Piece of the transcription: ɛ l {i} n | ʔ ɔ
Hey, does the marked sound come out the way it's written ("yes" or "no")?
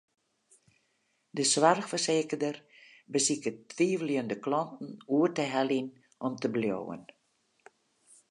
yes